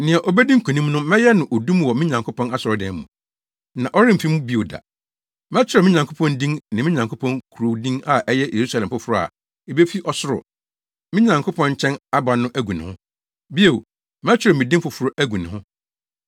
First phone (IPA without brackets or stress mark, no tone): n